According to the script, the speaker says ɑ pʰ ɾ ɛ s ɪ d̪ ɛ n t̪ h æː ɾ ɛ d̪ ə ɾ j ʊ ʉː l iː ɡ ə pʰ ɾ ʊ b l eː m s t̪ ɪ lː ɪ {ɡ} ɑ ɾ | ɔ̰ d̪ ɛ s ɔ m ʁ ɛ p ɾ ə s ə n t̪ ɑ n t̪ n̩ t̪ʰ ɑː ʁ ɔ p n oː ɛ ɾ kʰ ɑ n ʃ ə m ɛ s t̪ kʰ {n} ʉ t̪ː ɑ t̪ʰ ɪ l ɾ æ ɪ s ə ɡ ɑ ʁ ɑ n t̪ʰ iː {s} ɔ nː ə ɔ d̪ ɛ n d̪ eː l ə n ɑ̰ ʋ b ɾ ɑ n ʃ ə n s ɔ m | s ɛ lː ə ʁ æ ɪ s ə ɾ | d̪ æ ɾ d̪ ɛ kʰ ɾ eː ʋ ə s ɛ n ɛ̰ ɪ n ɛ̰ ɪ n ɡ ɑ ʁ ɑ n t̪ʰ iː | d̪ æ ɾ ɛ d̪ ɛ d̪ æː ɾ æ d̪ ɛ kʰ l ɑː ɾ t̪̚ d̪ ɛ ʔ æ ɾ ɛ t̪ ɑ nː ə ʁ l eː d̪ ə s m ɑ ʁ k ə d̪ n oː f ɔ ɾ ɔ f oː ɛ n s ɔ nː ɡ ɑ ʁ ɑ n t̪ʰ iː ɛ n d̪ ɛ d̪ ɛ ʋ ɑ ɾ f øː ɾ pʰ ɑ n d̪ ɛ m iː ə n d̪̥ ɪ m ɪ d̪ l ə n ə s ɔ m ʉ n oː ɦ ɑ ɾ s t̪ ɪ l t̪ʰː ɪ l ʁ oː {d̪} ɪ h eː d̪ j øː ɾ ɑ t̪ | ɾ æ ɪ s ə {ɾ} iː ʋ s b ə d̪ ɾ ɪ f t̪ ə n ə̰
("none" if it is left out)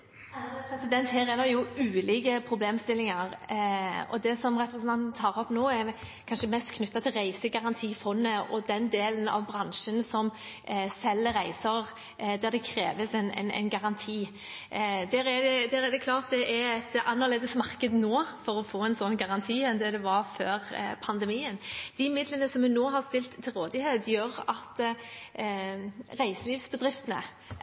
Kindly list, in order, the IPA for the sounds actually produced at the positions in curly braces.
ŋ, n, f, d̪, l

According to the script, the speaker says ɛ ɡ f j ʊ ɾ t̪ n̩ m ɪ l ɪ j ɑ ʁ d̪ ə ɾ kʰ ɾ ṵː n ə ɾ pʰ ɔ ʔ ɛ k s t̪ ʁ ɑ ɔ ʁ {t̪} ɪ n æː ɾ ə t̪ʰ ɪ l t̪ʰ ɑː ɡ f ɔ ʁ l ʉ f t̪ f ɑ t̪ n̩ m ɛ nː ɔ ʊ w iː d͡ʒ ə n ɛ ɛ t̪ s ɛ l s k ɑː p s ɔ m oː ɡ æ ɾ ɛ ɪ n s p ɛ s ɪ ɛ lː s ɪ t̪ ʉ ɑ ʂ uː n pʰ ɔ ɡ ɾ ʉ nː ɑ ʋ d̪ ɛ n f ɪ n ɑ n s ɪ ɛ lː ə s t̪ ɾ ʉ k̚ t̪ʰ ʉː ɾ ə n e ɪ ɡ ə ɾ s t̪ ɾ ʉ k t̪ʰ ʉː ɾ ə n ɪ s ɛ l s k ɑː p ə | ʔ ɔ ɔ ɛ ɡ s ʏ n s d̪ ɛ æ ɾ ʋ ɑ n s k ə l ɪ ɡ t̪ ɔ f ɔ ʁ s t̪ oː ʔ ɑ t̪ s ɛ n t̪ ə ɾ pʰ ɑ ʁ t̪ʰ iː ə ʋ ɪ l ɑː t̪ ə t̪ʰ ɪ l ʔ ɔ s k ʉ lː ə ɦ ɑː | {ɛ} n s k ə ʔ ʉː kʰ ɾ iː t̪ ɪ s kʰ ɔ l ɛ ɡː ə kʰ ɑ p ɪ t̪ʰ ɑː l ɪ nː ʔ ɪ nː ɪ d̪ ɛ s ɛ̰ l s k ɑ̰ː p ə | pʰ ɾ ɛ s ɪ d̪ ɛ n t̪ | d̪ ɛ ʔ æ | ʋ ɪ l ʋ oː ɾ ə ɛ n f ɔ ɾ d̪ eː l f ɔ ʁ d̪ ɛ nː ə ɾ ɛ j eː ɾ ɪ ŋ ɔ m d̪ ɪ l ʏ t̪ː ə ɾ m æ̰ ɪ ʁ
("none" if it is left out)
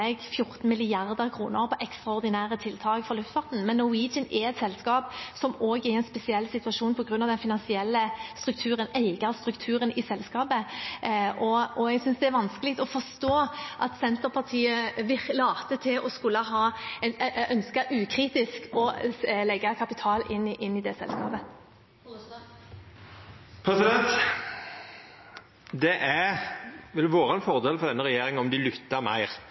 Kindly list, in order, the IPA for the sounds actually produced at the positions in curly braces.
d̪, œ

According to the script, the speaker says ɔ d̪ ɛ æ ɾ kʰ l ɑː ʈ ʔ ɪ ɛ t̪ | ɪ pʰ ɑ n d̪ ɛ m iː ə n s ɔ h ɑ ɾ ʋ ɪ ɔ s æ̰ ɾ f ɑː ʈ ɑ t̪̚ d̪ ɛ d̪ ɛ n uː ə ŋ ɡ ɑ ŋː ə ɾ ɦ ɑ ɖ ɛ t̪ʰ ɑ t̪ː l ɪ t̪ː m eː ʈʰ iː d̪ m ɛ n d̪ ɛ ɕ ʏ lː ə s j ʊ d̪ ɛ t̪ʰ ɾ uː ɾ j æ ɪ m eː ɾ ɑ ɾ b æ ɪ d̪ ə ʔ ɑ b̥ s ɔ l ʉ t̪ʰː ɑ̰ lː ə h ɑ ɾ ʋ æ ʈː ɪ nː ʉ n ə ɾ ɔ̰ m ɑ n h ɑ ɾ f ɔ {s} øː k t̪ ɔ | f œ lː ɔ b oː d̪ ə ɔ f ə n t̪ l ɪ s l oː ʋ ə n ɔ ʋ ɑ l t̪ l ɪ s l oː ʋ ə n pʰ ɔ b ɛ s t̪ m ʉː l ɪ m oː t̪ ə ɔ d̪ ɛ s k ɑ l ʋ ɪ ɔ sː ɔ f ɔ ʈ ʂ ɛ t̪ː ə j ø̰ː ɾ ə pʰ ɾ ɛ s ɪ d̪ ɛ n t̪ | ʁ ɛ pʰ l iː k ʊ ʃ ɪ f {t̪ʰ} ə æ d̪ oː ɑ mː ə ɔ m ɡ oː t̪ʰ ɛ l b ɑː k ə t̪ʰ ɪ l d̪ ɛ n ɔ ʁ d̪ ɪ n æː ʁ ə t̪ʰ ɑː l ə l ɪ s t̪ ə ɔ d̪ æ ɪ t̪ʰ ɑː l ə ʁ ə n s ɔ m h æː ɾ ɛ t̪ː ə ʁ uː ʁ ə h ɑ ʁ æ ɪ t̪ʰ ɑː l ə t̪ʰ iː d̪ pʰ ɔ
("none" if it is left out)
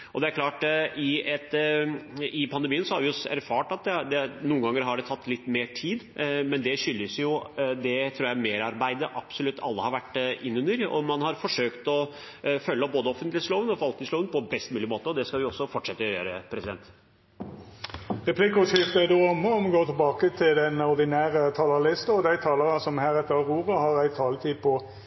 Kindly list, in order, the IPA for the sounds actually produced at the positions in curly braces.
ʂ, t̪

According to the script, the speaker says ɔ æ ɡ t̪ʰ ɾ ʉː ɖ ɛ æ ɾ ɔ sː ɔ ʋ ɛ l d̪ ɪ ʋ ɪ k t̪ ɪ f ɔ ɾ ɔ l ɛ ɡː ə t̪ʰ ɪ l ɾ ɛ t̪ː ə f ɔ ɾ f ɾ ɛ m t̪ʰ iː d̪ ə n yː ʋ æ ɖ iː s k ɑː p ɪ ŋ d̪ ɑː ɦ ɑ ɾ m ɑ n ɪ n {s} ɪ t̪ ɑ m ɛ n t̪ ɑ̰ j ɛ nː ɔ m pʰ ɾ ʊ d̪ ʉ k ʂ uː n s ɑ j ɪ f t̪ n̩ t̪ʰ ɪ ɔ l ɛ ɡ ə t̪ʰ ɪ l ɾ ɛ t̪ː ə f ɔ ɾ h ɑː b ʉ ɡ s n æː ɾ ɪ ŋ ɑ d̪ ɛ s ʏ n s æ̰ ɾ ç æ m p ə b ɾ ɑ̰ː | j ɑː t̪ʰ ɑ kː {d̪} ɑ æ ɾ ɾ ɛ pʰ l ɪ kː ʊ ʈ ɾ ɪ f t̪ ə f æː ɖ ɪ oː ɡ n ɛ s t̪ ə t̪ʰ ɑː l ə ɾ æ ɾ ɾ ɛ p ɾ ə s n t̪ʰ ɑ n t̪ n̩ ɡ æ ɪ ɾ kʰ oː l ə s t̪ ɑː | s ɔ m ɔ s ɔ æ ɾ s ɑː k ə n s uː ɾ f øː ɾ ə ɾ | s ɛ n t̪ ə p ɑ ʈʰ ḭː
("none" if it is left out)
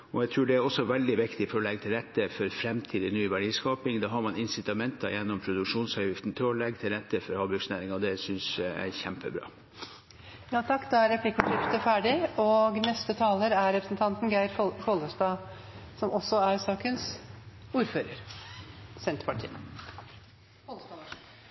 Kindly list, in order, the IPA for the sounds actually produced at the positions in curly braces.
s, d̪

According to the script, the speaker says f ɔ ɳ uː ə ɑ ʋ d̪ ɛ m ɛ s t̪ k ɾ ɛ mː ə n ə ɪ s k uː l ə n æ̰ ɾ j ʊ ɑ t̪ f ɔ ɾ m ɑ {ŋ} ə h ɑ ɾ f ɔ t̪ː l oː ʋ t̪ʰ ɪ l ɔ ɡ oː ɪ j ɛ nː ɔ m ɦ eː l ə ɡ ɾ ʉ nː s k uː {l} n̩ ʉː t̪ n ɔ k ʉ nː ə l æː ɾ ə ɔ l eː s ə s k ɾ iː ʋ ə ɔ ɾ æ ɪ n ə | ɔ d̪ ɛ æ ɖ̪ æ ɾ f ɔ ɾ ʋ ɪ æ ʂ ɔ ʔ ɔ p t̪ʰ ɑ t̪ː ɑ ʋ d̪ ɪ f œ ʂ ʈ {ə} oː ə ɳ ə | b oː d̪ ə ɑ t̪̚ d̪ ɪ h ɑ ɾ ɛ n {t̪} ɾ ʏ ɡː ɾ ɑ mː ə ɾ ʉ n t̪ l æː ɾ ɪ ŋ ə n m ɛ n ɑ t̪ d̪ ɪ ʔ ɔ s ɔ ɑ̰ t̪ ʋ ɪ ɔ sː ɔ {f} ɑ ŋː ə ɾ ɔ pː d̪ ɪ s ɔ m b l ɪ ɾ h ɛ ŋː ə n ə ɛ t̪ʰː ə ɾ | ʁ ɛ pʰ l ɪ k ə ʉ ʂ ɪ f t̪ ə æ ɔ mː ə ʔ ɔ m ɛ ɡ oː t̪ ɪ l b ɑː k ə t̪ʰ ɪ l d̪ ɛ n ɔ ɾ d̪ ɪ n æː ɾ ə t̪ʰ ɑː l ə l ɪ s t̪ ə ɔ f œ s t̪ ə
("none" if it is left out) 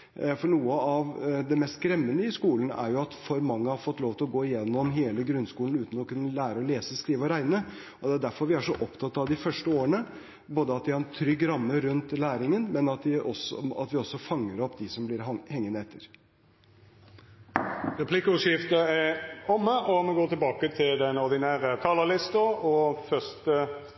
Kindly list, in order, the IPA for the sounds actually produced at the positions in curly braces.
ŋː, l, ə, t̪ʰ, f

